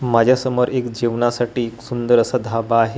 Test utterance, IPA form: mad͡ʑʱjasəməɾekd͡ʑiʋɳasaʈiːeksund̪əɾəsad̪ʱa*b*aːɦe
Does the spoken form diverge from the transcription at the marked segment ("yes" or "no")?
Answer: no